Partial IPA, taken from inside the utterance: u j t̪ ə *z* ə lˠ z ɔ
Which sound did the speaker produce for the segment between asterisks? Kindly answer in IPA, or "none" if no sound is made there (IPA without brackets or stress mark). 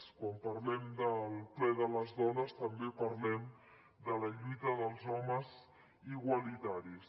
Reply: ð